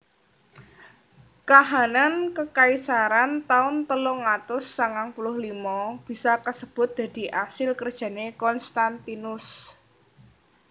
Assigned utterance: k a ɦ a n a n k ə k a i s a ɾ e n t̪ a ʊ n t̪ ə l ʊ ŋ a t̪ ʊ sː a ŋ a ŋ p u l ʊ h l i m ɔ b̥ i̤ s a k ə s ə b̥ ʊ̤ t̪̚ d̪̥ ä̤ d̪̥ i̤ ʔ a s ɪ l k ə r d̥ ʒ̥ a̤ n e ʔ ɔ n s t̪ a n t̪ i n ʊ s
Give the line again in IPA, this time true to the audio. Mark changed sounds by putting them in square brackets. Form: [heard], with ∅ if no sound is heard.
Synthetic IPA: k a ɦ a n a n k ə k a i s a ɾ [a] n t̪ a ʊ n t̪ ə l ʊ ŋ a t̪ ʊ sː a ŋ a ŋ p u l ʊ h l i m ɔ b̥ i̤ s a k ə s ə b̥ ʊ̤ t̪̚ d̪̥ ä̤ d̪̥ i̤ ʔ a s ɪ l k ə r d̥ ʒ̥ a̤ n e [k] ɔ n s t̪ a n t̪ i n ʊ s